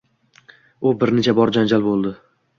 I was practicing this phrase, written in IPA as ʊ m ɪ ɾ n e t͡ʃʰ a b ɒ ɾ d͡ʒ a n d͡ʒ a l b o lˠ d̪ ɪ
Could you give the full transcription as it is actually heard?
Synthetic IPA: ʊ b ɪ ɾ n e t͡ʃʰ a b ɒ ɾ d͡ʒ a n d͡ʒ a l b o lˠ d̪ ɪ